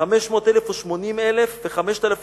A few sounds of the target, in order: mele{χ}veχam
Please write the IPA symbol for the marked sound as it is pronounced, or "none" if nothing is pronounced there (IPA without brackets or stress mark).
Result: f